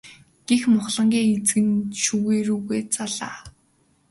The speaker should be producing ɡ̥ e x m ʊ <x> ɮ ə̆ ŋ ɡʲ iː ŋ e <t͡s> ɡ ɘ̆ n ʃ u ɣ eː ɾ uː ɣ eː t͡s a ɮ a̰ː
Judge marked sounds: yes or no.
no, yes

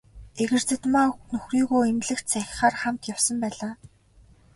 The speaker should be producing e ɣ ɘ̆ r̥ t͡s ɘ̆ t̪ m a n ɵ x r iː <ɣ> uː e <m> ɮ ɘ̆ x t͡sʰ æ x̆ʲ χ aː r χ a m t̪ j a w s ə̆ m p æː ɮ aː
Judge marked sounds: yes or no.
yes, yes

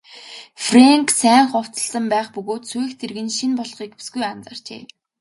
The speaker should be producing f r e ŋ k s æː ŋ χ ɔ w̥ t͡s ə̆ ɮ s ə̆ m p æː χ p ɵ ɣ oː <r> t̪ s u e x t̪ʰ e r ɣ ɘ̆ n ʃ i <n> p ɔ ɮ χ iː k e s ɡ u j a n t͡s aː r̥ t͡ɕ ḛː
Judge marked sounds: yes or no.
no, yes

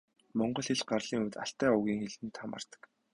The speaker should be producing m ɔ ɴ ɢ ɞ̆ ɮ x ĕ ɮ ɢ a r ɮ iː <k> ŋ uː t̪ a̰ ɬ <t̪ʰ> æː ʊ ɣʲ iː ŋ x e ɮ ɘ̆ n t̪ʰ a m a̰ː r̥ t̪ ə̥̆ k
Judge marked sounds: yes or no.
no, no

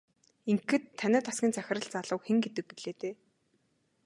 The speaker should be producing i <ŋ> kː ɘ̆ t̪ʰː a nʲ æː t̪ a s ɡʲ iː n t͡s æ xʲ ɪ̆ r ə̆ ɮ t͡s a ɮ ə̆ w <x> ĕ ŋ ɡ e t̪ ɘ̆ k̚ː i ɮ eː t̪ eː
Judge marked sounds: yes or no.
yes, yes

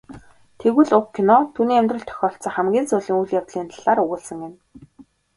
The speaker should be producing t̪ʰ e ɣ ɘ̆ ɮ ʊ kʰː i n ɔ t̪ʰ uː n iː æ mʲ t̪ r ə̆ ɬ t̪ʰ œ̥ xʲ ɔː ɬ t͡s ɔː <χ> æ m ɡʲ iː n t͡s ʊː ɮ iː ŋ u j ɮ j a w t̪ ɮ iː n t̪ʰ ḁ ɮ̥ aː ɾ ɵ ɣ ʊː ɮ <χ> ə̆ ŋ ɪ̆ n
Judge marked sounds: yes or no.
yes, no

